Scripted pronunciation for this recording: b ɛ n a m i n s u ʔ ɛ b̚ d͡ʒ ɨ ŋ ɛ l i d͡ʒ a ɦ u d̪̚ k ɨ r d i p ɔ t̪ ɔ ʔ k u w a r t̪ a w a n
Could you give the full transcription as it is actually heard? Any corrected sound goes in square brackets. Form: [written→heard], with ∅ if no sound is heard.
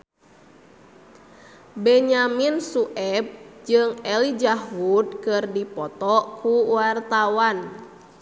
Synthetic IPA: b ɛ [n→ɲ] a m i n s u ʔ ɛ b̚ d͡ʒ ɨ ŋ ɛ l i d͡ʒ a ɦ u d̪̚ k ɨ r d i p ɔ t̪ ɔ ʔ k u w a r t̪ a w a n

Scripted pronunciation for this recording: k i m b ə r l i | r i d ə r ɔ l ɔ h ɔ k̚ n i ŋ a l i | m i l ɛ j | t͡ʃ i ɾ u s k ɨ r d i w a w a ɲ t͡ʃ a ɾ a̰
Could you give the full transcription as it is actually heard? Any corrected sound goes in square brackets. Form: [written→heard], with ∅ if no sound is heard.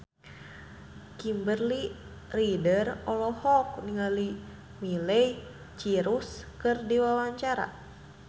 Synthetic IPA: k i m b ə r l i | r i d ə r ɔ l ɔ h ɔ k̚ n i ŋ a l i | m i l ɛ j | t͡ʃ i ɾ u s k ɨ r d i w a w a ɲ t͡ʃ a ɾ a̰

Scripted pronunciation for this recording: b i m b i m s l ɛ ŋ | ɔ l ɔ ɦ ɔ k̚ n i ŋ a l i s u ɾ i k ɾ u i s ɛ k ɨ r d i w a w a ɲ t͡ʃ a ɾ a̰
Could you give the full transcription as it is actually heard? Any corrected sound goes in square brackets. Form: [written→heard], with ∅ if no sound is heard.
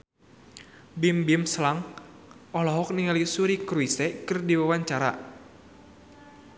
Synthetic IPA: b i m b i m s l [ɛ→a] ŋ | ɔ l ɔ ɦ ɔ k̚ n i ŋ a l i s u ɾ i k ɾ u i s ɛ k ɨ r d i w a w a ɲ t͡ʃ a ɾ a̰

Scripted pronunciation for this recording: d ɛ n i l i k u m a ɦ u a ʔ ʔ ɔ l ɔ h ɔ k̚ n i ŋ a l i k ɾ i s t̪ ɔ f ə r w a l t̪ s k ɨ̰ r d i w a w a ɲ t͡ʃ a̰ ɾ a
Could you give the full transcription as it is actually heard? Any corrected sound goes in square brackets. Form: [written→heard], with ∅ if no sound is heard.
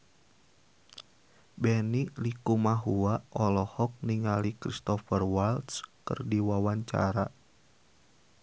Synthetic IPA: [d→b] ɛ n i l i k u m a ɦ u a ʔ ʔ ɔ l ɔ h ɔ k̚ n i ŋ a l i k ɾ i s t̪ ɔ f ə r w a l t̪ s k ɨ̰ r d i w a w a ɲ t͡ʃ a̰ ɾ a

